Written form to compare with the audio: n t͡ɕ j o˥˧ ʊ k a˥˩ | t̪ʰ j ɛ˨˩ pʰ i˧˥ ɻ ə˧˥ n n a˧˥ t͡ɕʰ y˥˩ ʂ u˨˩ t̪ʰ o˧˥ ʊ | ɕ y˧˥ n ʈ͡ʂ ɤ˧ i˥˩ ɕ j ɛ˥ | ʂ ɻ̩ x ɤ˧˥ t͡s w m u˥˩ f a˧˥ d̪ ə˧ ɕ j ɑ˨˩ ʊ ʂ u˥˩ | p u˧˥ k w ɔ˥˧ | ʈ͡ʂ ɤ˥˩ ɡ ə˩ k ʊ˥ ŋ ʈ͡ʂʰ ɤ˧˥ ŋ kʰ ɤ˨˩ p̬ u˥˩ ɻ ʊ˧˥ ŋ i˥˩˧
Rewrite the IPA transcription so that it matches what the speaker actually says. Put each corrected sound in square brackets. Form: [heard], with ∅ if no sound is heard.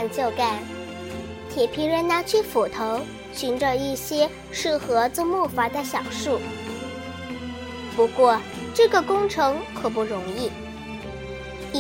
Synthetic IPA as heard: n t͡ɕ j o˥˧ ʊ k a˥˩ | t̪ʰ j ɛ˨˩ pʰ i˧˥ ɻ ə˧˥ n n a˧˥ t͡ɕʰ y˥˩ [f] u˨˩ t̪ʰ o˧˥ ʊ | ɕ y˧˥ n ʈ͡ʂ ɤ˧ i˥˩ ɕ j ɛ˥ | ʂ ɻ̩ x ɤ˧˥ t͡s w m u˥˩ f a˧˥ d̪ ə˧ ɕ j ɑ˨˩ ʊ ʂ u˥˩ | p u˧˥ k w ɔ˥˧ | ʈ͡ʂ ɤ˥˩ ɡ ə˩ k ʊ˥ ŋ ʈ͡ʂʰ ɤ˧˥ ŋ kʰ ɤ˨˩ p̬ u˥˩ ɻ ʊ˧˥ ŋ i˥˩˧